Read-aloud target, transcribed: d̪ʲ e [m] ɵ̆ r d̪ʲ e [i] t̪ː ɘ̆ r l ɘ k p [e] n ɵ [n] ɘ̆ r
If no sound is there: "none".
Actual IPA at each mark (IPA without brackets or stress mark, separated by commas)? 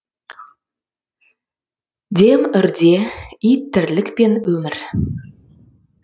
m, i, e, m